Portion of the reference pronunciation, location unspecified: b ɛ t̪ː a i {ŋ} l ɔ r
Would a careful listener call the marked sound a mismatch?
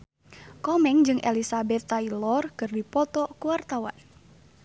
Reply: yes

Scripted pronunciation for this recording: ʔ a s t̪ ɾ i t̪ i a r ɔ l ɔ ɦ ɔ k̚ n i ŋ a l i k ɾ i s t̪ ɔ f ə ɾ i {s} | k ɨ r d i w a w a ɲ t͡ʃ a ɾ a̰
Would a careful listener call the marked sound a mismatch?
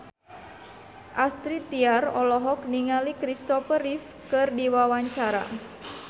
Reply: yes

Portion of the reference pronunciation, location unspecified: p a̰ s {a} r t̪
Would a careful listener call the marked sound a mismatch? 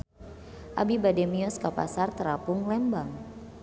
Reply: no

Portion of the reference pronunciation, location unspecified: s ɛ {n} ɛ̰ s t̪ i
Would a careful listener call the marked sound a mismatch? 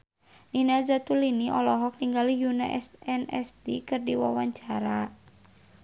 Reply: no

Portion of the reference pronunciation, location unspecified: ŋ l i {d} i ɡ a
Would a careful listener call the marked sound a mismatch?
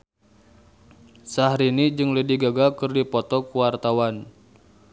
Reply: no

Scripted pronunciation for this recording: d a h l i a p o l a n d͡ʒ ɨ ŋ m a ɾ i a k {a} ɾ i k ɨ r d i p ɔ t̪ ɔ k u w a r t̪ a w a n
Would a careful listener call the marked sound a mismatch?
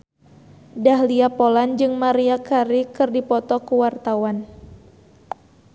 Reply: no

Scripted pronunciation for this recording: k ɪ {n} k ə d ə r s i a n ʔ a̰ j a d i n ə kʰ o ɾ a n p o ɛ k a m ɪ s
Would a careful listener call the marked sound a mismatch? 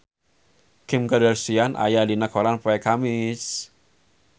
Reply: yes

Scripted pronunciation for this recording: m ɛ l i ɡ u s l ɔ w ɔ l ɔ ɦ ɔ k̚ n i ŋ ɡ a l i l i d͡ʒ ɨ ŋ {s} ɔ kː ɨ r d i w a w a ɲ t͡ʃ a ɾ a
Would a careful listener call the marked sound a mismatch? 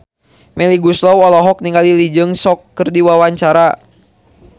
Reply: no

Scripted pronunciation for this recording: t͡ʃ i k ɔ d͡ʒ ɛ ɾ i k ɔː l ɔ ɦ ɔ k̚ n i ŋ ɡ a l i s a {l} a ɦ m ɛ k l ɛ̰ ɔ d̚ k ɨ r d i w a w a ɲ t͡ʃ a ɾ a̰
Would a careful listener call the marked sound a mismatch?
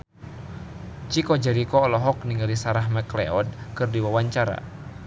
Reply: yes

